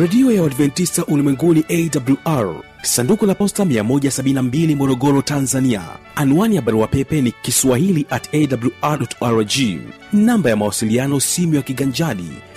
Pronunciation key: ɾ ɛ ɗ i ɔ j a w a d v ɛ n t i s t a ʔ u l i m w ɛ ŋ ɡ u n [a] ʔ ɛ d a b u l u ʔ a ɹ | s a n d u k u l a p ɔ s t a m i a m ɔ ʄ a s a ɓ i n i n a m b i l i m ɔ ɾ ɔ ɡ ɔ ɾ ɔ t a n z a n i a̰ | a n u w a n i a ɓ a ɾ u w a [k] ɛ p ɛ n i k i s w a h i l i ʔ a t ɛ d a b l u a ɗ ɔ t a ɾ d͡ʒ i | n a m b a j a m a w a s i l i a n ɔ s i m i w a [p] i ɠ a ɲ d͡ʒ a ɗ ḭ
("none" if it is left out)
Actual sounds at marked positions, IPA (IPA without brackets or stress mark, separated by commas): i, p, k